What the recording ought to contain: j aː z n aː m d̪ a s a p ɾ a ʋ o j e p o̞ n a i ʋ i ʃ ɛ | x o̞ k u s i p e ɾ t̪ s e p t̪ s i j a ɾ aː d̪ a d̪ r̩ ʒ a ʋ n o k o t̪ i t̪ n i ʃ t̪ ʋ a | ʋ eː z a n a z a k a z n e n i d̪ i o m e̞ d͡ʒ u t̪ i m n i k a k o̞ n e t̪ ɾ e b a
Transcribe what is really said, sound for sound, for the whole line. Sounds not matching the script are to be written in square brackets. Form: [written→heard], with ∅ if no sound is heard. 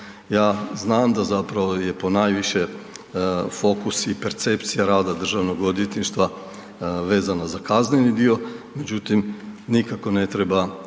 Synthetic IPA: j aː z n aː m d̪ a [s→z] a p ɾ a ʋ o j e p o̞ n a [i→j] ʋ i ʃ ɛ | [x→f] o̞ k u s i p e ɾ t̪ s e p t̪ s i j a ɾ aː d̪ a d̪ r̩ ʒ a ʋ n o [k→ɡ] o [t̪→d̪] i t̪ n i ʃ t̪ ʋ a | ʋ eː z a n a z a k a z n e n i d̪ i o m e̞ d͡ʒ u t̪ i m n i k a k o̞ n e t̪ ɾ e b a